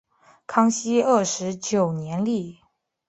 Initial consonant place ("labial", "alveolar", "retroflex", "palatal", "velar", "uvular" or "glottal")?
velar